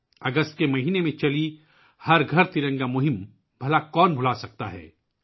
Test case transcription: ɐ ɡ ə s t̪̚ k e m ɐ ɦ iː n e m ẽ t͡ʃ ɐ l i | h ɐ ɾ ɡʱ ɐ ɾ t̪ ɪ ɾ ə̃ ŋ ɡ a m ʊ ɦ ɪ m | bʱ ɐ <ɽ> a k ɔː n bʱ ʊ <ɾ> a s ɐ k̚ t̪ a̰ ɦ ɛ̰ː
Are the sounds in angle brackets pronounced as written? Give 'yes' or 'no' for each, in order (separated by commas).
no, no